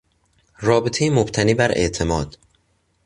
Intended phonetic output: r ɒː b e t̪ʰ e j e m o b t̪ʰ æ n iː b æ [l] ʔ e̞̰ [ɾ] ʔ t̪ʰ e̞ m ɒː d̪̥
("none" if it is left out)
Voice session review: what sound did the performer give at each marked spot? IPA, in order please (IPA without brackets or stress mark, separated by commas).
ɾ, none